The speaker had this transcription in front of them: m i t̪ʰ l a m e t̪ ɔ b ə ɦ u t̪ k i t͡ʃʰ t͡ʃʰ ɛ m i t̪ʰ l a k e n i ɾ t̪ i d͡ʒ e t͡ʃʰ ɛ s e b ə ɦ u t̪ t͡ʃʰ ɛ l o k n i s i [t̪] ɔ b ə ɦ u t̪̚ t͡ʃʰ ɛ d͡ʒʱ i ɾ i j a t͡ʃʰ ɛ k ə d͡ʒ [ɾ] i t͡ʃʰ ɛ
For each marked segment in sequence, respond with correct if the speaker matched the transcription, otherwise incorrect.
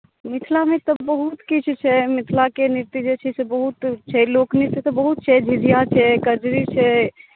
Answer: correct, correct

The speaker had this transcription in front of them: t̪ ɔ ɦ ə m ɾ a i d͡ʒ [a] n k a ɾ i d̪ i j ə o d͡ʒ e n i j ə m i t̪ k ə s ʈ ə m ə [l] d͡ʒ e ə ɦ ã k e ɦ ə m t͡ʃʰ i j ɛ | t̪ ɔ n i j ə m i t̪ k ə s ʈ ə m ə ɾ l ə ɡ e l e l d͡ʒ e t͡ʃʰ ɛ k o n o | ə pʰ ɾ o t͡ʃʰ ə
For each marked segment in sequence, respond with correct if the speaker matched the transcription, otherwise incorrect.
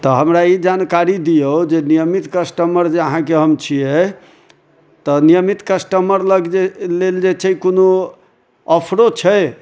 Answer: correct, incorrect: ɾ

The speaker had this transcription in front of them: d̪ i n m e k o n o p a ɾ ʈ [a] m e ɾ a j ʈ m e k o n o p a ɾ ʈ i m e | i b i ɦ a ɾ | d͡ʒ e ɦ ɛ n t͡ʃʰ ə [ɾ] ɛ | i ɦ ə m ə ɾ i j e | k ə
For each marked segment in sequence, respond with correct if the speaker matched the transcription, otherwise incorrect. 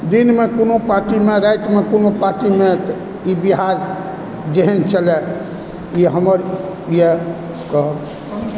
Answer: incorrect: i, incorrect: l

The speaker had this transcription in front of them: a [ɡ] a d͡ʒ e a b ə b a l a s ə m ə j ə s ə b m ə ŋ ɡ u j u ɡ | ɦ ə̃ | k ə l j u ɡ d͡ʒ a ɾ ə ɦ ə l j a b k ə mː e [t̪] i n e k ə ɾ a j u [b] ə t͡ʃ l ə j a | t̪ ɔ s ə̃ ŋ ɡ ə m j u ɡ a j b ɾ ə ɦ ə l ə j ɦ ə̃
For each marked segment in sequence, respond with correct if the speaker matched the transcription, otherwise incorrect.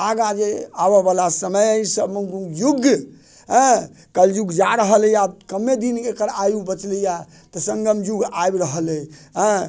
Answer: correct, incorrect: d̪, correct

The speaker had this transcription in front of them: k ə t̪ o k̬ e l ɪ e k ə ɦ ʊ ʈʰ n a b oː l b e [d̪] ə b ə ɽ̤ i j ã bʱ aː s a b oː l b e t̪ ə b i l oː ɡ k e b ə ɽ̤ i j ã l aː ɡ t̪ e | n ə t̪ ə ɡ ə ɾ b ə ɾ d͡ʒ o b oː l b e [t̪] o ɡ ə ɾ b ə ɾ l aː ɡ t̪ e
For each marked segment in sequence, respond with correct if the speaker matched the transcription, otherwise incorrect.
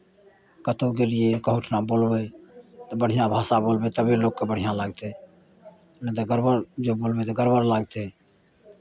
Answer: incorrect: t̪, correct

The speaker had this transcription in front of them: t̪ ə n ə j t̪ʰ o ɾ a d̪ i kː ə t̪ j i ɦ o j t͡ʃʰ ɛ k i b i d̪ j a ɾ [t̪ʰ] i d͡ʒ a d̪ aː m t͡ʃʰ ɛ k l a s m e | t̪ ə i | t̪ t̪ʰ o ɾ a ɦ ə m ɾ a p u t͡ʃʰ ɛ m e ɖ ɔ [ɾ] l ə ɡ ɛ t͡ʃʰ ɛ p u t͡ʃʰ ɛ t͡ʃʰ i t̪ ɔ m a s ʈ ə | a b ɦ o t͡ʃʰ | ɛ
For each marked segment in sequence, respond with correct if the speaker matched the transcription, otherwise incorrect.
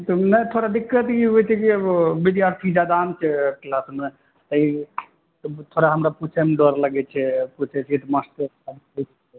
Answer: correct, correct

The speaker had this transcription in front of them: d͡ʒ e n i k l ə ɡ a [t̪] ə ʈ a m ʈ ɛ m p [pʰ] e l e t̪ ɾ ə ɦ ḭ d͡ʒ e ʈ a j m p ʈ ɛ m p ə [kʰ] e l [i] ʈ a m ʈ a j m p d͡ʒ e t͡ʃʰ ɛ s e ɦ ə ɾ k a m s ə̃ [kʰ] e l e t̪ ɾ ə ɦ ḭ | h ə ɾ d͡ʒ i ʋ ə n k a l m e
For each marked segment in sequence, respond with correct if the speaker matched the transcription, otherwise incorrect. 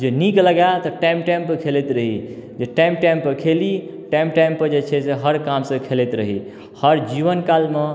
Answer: correct, incorrect: kʰ, correct, correct, correct

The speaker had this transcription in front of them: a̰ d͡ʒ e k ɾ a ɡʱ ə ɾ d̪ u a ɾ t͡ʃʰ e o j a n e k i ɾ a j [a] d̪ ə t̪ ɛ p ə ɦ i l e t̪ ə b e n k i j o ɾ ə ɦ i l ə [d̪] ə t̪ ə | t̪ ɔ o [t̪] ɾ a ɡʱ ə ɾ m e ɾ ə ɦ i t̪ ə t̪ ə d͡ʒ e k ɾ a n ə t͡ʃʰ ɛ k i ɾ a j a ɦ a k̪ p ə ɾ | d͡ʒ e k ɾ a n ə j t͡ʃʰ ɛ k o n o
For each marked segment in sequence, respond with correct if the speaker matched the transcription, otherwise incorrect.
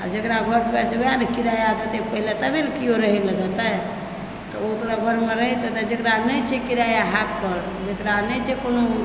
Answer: correct, correct, correct

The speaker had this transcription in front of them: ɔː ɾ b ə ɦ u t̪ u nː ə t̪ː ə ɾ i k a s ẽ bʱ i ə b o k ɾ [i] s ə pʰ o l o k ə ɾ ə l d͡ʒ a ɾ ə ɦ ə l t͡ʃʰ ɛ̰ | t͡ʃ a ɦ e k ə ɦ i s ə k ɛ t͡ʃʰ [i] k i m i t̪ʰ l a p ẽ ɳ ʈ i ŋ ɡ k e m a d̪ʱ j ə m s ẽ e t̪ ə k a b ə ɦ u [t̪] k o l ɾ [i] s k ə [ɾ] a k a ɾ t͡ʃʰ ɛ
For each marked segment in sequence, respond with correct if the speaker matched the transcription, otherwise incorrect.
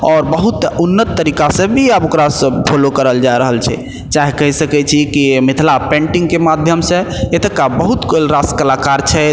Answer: incorrect: a, correct, correct, incorrect: a, incorrect: l

